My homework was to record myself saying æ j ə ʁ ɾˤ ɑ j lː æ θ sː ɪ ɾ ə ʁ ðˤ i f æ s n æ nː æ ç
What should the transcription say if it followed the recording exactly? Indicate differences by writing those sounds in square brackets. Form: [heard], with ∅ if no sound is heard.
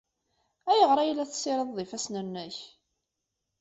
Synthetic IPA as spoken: æ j ə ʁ ɾˤ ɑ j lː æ θ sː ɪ ɾ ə [ð] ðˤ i f æ s n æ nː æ ç